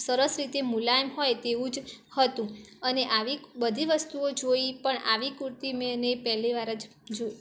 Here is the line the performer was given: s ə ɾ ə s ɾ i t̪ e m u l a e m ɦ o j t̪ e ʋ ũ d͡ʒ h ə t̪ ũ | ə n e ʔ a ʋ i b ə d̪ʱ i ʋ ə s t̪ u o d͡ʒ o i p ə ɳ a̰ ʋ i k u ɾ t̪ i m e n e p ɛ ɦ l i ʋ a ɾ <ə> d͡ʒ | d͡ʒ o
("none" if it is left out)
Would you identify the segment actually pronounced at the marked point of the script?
ə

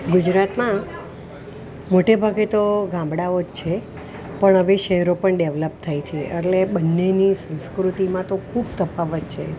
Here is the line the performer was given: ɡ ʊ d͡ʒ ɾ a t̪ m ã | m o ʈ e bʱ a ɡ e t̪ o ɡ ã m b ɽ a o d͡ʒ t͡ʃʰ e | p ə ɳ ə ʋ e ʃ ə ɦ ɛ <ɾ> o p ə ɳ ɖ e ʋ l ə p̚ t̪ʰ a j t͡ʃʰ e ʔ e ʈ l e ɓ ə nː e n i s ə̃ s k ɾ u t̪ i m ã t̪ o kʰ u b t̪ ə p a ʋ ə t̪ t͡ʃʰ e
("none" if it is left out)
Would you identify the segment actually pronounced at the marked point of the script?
ɾ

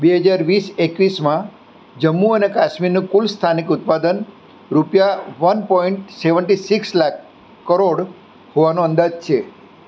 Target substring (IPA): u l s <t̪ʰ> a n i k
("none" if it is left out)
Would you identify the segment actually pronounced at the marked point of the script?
t̪ʰ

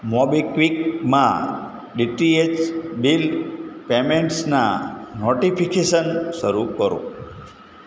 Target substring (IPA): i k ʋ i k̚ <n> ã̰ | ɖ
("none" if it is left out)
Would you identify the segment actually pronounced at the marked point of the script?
m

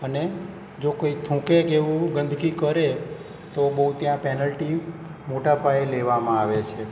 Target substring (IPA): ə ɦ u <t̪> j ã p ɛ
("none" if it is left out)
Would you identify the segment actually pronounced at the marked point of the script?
t̪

